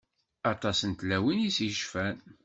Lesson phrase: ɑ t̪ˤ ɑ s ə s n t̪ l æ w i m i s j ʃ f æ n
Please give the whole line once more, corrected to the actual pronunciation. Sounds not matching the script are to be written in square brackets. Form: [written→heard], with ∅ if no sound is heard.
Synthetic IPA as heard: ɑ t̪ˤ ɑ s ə [s→∅] n t̪ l æ w i [m→n] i s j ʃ f æ n